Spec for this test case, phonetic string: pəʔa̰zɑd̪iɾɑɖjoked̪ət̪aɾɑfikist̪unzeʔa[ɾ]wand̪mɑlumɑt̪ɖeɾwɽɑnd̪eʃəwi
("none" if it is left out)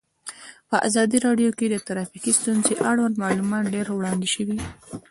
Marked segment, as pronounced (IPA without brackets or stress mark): ɽ